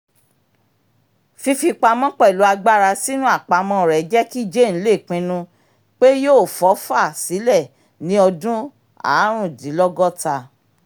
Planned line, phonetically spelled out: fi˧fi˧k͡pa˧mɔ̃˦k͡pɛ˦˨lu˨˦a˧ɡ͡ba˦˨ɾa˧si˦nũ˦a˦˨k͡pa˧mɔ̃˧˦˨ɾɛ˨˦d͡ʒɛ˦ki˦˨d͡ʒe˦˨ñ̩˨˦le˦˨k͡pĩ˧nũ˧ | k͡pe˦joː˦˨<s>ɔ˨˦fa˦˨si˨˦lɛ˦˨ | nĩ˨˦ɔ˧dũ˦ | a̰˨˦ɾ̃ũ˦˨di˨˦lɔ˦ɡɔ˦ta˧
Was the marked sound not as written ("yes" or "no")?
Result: yes